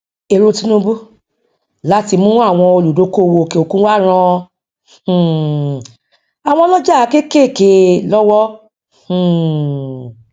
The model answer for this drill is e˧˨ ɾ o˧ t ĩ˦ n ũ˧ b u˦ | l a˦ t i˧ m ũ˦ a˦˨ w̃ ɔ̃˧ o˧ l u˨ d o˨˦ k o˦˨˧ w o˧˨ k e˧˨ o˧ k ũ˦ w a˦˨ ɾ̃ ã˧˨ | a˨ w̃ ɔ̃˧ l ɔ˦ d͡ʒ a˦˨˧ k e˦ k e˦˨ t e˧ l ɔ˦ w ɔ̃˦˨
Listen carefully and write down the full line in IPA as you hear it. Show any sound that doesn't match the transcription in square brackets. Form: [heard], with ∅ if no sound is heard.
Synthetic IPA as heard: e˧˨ ɾ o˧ t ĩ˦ n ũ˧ b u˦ | l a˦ t i˧ m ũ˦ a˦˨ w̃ ɔ̃˧ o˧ l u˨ d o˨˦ k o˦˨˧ w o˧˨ k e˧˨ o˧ k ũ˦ w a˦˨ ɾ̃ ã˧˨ | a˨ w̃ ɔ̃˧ l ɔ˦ d͡ʒ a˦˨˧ k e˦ k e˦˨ [k] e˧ l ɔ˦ w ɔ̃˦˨